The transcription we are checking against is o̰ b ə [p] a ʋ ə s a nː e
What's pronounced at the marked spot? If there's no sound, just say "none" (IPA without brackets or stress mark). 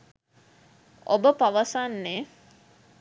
p